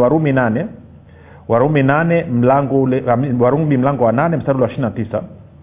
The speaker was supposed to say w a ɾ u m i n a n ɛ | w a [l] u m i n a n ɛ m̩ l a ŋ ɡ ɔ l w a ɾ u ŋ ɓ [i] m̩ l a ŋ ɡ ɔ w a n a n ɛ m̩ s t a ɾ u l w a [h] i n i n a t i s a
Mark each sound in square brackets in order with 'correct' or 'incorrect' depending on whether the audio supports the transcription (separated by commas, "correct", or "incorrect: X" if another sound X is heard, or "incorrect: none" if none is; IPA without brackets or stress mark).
incorrect: ɾ, correct, incorrect: ʃ